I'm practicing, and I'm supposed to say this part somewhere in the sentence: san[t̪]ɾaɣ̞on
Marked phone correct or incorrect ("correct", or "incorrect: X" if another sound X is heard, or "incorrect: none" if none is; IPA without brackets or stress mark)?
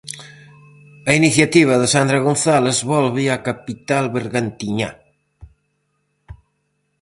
incorrect: d̪